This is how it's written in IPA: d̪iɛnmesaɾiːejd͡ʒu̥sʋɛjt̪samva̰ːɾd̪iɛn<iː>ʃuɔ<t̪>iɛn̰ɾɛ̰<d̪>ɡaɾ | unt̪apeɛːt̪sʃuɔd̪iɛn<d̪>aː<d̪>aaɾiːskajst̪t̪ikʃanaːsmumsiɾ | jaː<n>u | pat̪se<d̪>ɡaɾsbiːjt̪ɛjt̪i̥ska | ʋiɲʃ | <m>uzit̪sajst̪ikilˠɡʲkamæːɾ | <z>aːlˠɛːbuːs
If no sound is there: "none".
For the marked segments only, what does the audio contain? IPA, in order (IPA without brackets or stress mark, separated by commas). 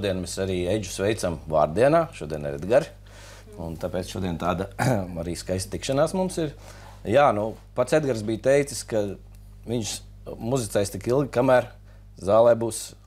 aː, d̪, d̪, t̪, d̪, n, d̪, m, z